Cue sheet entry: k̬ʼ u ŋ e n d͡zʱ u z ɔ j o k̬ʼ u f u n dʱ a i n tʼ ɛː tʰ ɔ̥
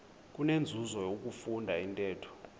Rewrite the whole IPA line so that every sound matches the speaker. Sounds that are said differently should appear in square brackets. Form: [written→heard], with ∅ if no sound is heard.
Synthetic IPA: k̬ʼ u [ŋ→n] e n d͡zʱ u z ɔ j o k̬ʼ u f u n dʱ a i n tʼ ɛː tʰ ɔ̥

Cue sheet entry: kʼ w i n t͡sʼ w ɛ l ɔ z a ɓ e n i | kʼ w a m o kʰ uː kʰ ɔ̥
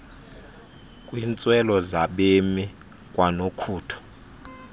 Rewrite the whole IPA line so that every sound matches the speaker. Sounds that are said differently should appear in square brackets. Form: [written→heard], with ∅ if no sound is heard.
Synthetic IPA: kʼ w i n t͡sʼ w ɛ l ɔ z a ɓ e [n→m] i | kʼ w a [m→n] o kʰ uː [kʰ→tʰ] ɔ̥

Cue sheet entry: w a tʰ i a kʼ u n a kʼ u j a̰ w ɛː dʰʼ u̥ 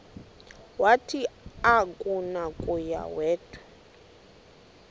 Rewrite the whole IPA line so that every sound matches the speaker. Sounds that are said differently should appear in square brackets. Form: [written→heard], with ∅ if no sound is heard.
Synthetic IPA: w a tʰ i a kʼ u n a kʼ u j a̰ w ɛː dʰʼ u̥

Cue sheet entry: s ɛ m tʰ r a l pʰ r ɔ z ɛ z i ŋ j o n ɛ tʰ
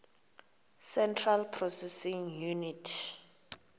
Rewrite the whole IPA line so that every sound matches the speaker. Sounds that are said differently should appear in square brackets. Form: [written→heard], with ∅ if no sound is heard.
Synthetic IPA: s ɛ [m→n] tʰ r a l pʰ r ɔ [z→s] ɛ [z→s] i ŋ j [o→u] n [ɛ→i] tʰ

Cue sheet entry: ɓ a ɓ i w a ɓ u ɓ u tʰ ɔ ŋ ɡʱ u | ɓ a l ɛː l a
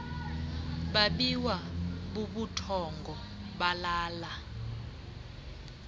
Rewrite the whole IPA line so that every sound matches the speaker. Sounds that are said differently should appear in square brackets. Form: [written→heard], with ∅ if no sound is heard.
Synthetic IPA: ɓ a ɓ i w a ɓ u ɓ u tʰ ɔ ŋ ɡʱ [u→ɔ] | ɓ a l [ɛː→aː] l a

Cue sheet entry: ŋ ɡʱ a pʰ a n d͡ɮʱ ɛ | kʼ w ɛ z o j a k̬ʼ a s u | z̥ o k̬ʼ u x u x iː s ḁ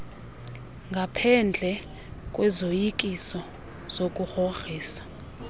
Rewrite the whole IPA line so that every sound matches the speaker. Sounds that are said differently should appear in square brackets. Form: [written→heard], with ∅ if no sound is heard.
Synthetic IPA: ŋ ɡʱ a pʰ [a→ɛ] n d͡ɮʱ ɛ | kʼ w ɛ z o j [a→i] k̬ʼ [a→i] s [u→ɔ] | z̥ o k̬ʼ u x [u→o] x iː s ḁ

